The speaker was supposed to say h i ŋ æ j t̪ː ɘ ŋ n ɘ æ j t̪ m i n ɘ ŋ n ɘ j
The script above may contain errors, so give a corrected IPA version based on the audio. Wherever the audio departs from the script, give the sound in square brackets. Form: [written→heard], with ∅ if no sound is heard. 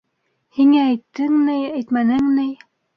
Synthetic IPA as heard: h i ŋ [æ→æː] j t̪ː ɘ ŋ n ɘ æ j t̪ m [i→æ] n ɘ ŋ n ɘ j